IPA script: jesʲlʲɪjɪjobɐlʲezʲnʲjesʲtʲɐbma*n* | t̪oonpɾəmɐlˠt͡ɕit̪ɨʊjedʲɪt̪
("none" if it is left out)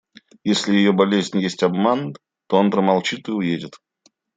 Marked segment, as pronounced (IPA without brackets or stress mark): n